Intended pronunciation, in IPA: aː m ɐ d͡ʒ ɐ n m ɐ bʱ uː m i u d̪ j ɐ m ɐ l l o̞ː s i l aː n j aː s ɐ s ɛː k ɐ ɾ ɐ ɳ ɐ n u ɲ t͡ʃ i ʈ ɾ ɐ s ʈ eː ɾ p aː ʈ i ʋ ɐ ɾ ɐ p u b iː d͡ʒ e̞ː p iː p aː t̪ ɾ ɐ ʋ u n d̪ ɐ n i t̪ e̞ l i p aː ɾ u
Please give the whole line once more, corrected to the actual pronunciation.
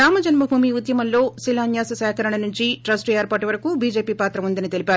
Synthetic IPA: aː m ɐ d͡ʒ ɐ n m ɐ bʱ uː m i u d̪ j ɐ m ɐ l l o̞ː s i l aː n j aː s ɐ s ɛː k ɐ ɾ ɐ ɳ ɐ n u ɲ t͡ʃ i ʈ ɾ ɐ s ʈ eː ɾ p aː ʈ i ʋ ɐ ɾ ɐ k u b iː d͡ʒ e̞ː p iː p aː t̪ ɾ ɐ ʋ u n d̪ ɐ n i t̪ e̞ l i p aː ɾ u